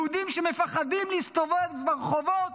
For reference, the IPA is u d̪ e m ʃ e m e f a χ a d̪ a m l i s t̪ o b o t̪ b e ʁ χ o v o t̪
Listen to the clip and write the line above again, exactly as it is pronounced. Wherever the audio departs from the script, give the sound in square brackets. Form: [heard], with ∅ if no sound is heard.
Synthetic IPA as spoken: u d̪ [i] m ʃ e m e f a χ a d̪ [i] m l i s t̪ o [v] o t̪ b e ʁ χ o v o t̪